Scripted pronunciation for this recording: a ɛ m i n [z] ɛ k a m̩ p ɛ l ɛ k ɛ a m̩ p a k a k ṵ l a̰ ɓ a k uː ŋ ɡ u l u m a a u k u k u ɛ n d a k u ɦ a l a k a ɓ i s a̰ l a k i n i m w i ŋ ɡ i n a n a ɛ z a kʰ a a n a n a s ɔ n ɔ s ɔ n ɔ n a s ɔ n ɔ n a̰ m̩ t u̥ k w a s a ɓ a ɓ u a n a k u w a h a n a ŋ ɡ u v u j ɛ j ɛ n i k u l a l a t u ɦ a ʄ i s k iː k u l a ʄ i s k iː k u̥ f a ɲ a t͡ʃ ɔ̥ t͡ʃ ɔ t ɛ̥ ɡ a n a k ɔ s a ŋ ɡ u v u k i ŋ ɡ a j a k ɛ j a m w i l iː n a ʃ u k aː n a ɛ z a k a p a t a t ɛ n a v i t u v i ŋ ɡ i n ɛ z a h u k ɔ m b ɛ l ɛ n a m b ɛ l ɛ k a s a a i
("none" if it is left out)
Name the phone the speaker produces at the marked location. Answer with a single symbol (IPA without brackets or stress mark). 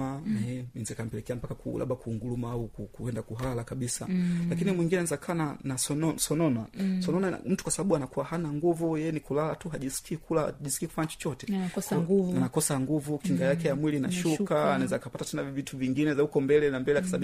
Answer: z